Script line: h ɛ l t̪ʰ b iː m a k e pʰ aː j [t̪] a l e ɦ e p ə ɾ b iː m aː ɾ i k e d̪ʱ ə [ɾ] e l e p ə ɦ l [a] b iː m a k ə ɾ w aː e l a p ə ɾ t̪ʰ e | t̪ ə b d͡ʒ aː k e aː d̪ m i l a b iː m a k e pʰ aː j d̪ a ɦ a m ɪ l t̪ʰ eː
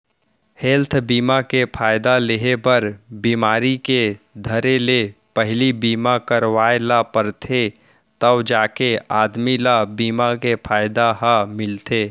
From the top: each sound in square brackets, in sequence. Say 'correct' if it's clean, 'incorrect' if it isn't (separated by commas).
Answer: incorrect, correct, incorrect